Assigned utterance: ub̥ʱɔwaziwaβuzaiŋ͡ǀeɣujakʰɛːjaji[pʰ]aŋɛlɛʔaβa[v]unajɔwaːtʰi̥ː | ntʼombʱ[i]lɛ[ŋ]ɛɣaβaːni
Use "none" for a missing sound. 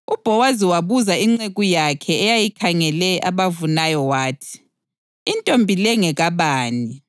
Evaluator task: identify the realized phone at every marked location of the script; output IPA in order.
kʰ, v, i, ŋ

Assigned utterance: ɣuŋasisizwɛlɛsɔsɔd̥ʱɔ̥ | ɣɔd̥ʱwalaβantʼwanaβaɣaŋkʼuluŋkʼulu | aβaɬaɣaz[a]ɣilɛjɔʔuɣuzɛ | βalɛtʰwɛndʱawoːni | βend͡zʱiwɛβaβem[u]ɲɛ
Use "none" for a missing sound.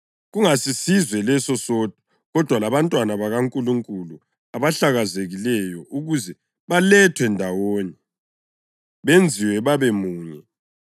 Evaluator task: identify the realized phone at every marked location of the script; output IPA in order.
e, uː

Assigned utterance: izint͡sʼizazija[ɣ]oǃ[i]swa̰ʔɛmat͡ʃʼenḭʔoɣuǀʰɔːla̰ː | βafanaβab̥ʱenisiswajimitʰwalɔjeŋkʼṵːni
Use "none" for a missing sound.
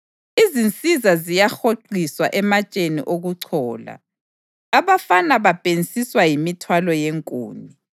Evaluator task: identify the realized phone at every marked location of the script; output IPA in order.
x, i

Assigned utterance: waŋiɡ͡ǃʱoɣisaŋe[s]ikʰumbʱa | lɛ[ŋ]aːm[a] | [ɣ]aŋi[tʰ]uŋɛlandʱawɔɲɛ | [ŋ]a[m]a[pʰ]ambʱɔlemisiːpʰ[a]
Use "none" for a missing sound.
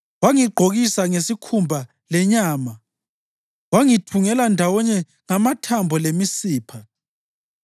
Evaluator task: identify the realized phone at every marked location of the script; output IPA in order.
s, ɲ, a, w, tʰ, ŋ, m, tʰ, a

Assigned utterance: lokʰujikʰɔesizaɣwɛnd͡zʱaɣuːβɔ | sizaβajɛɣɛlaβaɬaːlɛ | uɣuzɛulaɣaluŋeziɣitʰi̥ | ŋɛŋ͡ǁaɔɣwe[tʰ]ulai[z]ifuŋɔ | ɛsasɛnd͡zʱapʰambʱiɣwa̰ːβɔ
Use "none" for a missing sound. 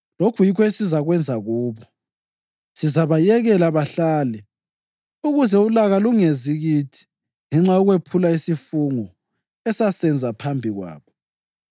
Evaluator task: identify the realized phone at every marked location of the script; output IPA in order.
pʰ, s

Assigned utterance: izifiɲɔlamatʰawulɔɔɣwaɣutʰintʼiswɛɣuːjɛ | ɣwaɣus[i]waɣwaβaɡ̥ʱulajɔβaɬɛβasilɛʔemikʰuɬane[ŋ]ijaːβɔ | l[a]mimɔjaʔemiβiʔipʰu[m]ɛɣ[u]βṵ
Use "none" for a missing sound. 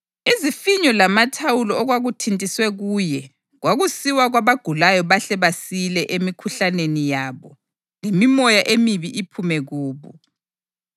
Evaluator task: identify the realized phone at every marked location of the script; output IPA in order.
i, n, e, m, uː

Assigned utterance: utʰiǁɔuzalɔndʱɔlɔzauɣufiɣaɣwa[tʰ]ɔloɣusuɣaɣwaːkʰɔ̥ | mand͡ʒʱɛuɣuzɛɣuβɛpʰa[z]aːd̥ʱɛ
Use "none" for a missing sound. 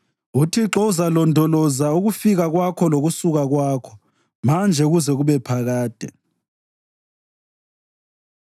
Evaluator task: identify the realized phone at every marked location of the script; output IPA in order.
kʰ, ɣ

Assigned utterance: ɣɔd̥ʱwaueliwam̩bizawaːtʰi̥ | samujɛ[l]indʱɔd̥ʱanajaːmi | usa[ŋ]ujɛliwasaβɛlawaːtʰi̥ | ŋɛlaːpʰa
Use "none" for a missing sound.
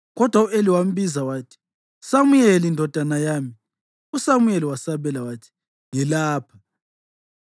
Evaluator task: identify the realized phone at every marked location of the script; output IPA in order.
l, m

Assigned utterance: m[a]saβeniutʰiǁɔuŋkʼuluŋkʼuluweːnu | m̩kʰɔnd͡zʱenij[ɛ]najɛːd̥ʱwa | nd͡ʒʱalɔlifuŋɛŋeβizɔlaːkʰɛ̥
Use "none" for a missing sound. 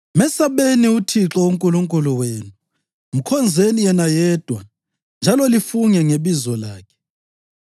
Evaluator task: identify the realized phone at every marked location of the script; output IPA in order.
ɛ, ɛ

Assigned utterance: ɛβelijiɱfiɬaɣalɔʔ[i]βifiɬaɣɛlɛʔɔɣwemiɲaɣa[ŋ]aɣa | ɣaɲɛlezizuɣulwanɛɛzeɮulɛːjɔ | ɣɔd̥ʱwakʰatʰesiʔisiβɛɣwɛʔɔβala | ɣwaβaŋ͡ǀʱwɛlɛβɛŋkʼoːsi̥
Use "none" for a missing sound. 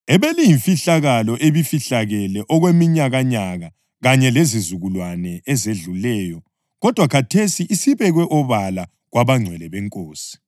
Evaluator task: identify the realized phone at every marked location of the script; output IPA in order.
e, ɲ

